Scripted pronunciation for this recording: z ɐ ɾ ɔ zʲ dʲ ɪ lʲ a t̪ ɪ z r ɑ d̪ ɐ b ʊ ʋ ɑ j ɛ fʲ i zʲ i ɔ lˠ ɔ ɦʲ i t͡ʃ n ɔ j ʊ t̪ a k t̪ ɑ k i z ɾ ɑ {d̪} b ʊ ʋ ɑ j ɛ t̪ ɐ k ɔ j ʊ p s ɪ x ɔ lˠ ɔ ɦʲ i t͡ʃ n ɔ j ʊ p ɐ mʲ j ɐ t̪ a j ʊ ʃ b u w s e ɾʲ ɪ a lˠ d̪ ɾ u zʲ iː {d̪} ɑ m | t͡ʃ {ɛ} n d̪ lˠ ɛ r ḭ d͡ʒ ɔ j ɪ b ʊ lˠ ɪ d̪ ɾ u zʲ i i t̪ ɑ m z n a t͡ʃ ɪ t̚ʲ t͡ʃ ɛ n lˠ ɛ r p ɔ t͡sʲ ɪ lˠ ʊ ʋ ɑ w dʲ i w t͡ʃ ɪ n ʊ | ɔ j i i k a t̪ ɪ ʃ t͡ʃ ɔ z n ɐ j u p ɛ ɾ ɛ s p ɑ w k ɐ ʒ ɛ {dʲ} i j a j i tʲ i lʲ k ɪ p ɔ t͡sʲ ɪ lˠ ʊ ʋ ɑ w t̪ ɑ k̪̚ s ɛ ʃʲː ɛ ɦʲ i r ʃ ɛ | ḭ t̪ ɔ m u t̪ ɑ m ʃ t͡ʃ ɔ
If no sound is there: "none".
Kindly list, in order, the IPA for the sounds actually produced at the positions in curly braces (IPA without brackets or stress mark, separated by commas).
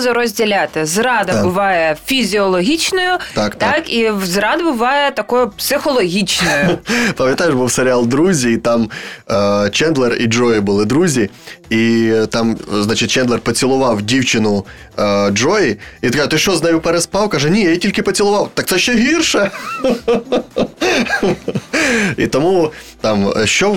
d̪, t̪, ɛ, nʲ